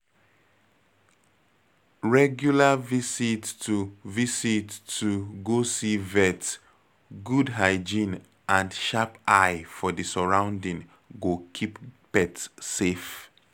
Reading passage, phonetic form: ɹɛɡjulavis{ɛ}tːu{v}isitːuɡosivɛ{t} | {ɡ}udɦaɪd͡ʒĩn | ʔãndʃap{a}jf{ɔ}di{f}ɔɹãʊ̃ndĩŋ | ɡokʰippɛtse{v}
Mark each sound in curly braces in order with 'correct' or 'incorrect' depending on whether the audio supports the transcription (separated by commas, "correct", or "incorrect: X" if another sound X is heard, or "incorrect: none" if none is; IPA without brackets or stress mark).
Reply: incorrect: i, correct, correct, correct, correct, correct, incorrect: s, incorrect: f